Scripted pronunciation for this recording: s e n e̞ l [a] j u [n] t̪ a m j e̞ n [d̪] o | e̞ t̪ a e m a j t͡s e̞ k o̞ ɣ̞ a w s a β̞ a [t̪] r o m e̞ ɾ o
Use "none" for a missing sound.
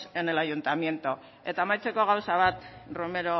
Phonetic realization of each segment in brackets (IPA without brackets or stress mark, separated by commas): a, n, t̪, t̪